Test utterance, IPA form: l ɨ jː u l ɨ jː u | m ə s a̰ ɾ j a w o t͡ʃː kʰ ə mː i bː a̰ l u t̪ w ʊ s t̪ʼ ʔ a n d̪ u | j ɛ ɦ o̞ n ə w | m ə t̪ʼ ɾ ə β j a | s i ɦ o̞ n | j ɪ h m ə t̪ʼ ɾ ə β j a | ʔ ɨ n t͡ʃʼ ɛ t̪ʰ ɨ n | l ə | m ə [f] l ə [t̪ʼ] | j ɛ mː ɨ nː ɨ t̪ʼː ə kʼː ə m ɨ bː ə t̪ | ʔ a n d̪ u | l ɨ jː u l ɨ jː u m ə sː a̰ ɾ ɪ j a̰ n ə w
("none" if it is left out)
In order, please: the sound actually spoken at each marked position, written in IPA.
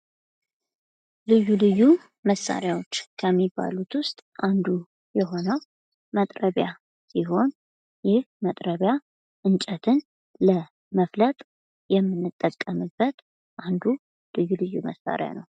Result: f, t̪ʼ

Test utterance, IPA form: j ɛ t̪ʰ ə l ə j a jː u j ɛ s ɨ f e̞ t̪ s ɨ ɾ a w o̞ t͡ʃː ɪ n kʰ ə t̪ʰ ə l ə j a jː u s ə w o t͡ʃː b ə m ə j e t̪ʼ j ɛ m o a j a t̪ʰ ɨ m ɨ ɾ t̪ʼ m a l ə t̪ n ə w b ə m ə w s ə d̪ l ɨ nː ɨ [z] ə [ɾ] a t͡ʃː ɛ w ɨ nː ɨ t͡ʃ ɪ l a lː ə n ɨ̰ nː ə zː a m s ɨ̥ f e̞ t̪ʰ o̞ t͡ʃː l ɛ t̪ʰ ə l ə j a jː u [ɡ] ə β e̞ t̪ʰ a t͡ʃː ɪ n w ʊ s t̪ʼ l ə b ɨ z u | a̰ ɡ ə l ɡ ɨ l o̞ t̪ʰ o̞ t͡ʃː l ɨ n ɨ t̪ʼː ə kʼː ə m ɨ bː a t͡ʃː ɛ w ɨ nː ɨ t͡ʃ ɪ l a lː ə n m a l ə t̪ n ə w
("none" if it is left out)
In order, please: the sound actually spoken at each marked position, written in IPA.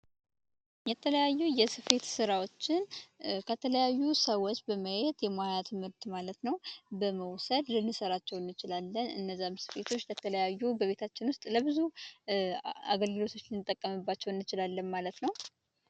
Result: s, ɾ, b

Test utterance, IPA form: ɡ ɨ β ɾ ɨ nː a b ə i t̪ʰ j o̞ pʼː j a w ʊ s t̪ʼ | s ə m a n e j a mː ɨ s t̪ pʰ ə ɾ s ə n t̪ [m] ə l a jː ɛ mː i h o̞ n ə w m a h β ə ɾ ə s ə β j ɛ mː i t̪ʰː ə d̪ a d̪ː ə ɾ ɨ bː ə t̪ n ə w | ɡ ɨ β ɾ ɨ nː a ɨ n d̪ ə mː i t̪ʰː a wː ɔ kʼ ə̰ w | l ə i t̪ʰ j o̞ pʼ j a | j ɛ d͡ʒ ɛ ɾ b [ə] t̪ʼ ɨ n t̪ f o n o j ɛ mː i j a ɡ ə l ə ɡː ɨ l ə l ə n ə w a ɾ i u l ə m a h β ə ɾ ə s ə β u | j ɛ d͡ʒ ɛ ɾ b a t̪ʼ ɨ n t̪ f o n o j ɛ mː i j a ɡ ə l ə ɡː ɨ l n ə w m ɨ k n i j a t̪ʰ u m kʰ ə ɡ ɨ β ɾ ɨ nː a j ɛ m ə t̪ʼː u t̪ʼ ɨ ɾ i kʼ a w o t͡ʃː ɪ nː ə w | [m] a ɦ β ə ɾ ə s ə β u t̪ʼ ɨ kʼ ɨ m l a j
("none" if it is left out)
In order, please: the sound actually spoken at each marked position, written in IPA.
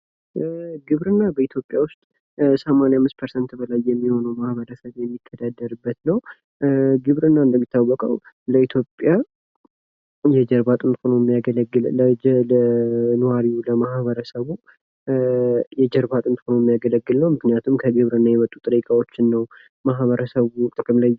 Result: b, a, m

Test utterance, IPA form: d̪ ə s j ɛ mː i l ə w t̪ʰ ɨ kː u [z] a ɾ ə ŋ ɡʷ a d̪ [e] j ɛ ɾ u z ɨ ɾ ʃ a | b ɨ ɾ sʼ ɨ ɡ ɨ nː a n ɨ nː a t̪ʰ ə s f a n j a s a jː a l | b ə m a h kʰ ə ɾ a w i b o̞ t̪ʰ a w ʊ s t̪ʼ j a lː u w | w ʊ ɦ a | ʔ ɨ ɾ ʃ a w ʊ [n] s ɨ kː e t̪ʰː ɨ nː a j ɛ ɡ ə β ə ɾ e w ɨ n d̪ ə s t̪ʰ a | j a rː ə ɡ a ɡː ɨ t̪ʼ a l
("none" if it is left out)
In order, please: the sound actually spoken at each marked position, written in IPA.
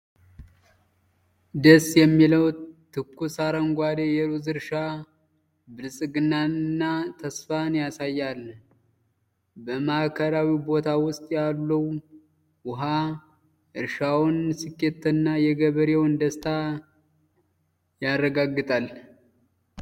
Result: s, e, n

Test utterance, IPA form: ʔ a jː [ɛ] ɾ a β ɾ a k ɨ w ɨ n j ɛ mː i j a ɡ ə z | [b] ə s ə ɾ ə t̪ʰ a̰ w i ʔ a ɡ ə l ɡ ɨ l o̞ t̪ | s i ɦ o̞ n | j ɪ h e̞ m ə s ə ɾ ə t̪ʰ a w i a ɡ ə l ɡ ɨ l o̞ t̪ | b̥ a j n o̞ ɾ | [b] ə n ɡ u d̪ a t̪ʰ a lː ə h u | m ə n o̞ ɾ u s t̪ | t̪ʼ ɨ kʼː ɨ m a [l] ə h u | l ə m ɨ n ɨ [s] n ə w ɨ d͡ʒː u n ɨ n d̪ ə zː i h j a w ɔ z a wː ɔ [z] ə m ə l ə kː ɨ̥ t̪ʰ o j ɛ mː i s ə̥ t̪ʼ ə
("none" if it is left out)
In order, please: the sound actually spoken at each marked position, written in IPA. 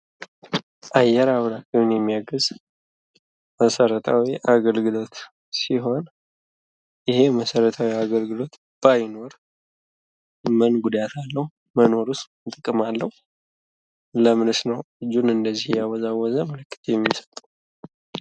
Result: ɛ, m, m, lː, s, z

